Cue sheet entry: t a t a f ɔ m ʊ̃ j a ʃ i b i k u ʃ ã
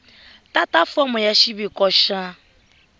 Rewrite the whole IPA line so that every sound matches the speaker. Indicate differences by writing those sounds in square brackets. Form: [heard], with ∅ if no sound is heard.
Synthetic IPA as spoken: t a t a f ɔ m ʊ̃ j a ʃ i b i k [ɔ] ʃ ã